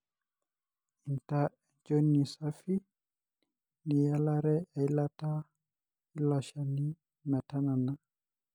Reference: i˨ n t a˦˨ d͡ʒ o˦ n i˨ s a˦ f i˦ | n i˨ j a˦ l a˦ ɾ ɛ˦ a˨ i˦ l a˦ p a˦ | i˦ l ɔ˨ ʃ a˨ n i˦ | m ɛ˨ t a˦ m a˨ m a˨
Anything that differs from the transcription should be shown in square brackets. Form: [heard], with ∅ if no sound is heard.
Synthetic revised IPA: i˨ n t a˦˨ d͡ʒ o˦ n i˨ s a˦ f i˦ | n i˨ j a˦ l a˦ ɾ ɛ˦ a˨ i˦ l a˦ [t] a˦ | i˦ l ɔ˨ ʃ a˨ n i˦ | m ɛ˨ t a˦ [n] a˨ [n] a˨

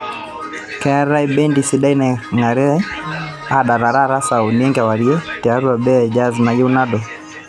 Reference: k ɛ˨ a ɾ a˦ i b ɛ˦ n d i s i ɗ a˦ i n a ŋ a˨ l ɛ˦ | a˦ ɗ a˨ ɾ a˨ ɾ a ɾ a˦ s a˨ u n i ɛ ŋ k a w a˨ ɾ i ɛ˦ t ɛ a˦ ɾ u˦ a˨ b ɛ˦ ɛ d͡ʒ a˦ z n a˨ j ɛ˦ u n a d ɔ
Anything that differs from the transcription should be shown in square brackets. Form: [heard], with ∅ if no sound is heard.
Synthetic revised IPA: k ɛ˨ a ɾ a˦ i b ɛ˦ n d i s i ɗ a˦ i n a ŋ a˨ [ɾ] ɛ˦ | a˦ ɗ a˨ ɾ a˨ ɾ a ɾ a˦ s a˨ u n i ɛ ŋ [ɡ] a w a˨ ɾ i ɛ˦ t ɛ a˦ ɾ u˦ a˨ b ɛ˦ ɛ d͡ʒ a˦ z n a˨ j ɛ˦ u n a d ɔ

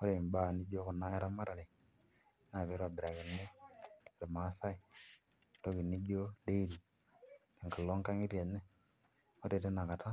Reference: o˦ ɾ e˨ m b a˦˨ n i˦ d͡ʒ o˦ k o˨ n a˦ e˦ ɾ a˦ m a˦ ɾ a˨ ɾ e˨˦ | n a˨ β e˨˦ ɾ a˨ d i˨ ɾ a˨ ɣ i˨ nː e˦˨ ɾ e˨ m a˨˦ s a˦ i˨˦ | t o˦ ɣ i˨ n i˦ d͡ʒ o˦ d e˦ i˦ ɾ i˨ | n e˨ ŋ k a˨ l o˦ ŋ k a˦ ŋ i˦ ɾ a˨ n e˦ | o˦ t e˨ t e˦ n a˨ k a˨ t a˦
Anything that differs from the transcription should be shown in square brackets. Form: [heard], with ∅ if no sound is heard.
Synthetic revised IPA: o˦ ɾ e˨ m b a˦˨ n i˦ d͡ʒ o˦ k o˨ n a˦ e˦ ɾ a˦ m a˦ ɾ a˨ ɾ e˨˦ | n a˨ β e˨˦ ɾ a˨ [b] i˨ ɾ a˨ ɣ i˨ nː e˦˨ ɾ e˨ m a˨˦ s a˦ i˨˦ | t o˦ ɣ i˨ n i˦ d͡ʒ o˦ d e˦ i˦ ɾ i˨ | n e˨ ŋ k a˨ l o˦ ŋ k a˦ ŋ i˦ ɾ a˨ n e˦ | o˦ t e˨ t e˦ n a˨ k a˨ t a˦

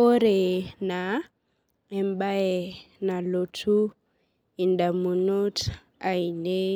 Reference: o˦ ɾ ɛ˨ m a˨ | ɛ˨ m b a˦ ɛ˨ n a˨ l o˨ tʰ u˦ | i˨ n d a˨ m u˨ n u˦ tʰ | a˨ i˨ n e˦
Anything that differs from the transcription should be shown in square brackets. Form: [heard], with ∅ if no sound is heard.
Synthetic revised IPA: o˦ ɾ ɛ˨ [n] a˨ | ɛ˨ m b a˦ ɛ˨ n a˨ l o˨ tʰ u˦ | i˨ n d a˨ m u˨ n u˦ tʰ | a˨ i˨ n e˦

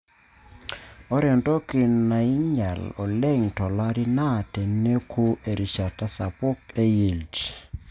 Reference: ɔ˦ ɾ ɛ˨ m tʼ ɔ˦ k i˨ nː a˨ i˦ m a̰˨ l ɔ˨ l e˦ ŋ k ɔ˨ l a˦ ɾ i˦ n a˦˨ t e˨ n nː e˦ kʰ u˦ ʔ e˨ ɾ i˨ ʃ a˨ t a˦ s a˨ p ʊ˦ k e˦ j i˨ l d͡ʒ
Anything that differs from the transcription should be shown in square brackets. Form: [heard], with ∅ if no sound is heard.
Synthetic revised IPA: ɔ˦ ɾ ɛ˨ [n] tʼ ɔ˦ k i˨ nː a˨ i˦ [ɲ] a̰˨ l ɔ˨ l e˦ ŋ [t] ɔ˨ l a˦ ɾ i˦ n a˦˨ t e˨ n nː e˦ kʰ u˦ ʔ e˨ ɾ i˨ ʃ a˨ t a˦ s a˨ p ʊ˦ k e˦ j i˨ l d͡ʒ

